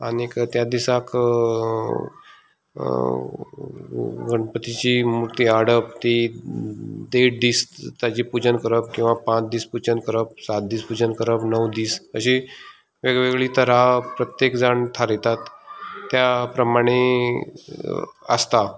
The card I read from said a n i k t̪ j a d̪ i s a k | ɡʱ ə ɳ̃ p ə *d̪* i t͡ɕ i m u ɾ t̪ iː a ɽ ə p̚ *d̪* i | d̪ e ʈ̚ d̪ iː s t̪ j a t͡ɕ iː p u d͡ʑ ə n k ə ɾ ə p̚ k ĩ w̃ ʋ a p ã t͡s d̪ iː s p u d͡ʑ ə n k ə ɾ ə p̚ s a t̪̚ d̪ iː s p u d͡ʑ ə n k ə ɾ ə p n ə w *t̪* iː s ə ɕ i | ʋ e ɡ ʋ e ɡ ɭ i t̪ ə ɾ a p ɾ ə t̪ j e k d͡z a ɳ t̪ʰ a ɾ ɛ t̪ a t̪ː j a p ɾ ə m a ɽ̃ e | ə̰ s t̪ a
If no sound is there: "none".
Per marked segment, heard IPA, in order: t̪, t̪, d̪

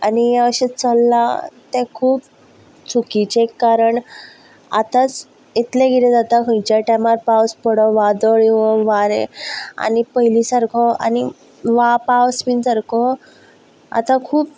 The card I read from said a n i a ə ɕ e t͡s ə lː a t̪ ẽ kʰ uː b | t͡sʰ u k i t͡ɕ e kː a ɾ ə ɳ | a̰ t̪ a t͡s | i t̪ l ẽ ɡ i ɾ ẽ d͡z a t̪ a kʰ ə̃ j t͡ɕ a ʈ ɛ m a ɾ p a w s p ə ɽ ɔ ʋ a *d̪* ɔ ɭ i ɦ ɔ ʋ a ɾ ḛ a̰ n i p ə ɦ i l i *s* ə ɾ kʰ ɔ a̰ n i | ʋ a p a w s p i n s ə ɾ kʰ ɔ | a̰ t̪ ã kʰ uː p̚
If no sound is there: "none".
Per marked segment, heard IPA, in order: d̪, s

